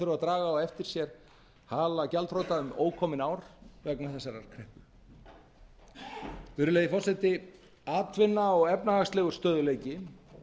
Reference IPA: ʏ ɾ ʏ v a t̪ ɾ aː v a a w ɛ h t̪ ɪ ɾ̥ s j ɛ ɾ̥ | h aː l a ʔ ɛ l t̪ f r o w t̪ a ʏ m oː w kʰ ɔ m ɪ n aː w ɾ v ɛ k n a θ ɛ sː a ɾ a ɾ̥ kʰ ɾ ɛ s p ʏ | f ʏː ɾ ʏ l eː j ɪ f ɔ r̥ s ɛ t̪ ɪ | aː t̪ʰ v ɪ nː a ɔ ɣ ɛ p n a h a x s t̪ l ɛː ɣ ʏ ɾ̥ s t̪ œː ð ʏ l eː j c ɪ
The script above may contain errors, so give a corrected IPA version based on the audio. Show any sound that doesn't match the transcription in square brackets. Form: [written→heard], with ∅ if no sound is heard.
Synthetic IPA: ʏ ɾ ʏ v a t̪ ɾ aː [v→ɣ] a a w ɛ [h→f] t̪ ɪ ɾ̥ s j ɛ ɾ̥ | h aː l a [ʔ→c] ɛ l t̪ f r o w t̪ a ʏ m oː w kʰ ɔ m ɪ n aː w ɾ v ɛ k n a θ ɛ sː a ɾ a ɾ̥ kʰ ɾ ɛ [s→h] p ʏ | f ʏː ɾ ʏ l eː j ɪ f ɔ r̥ s ɛ t̪ ɪ | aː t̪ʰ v ɪ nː a ɔ ɣ ɛ p n a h a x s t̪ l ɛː ɣ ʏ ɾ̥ s t̪ œː ð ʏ l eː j c ɪ